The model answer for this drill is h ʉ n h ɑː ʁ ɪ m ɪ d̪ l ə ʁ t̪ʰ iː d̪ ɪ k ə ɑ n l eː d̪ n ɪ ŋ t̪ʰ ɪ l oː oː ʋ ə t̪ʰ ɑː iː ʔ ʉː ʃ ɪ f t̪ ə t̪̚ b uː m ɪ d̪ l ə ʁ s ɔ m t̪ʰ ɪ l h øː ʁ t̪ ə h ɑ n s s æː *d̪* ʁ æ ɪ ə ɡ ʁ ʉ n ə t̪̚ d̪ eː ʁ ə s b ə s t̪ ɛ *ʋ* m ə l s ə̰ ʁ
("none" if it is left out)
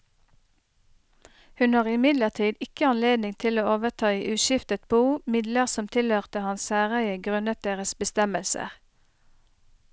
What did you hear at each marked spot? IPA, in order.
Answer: none, none

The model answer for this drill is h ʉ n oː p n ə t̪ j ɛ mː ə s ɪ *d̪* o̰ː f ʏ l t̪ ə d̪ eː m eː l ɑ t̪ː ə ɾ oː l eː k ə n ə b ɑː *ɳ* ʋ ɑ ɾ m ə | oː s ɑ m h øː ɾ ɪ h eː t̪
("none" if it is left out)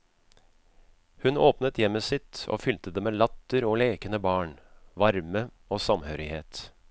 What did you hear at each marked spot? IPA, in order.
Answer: t̪, ɳ

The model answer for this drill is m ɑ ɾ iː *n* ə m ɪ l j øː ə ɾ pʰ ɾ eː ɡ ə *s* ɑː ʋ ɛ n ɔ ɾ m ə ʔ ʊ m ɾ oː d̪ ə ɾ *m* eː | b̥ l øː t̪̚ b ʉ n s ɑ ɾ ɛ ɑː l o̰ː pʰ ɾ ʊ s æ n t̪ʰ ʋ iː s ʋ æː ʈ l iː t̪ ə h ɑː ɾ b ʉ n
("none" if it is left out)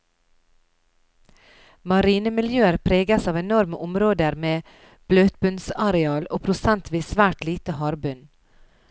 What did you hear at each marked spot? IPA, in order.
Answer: n, s, m

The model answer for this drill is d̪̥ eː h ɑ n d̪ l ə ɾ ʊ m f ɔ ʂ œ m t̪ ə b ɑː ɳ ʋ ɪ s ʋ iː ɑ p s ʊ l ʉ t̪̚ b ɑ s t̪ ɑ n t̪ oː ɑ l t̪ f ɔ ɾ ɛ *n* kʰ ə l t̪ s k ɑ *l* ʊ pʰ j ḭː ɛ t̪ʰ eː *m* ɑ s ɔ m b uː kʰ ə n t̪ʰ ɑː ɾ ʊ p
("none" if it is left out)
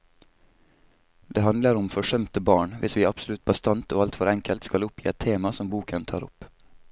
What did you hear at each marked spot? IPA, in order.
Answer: ŋ, l, m

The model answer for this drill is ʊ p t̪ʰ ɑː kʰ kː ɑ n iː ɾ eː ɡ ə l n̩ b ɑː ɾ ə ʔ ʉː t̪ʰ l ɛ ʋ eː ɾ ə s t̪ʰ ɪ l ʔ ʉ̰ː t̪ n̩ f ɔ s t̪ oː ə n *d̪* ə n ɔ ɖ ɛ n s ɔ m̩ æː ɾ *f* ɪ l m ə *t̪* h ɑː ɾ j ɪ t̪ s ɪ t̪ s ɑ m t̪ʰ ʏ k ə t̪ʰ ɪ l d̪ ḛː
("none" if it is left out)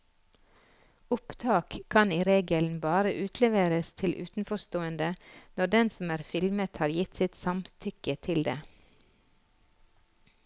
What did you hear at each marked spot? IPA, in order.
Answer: d̪, f, t̪

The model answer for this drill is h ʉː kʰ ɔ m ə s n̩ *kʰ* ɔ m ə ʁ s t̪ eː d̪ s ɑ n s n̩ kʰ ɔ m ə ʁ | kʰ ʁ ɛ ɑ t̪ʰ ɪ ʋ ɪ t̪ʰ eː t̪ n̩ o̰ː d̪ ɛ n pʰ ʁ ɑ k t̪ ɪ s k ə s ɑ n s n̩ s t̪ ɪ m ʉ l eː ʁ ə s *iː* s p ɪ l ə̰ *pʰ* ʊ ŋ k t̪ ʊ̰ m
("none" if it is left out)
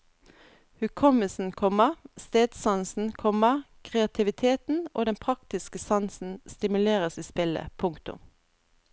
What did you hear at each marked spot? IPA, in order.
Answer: kʰ, iː, pʰ

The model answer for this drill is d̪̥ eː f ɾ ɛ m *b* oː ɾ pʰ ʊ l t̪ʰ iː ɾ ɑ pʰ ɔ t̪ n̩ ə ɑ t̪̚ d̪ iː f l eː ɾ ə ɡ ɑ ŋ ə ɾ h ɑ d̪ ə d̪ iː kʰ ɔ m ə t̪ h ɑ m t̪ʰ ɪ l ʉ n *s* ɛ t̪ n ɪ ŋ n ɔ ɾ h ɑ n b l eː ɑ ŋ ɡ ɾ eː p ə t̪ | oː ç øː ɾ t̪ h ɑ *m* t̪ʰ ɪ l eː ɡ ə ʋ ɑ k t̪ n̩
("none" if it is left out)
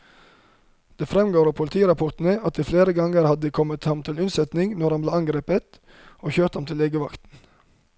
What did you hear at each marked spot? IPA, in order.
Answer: ɡ, s, m

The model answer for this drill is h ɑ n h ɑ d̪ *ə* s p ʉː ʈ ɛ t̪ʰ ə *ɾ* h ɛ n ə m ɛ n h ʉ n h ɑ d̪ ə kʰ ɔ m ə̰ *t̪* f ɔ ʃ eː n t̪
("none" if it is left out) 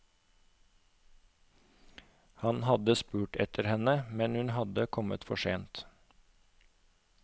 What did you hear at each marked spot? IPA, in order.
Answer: ə, ɾ, t̪

